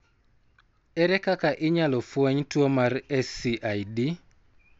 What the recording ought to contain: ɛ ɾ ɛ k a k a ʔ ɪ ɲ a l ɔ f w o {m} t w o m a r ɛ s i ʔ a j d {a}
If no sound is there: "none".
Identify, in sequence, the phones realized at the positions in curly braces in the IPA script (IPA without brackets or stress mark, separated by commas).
ɲ, i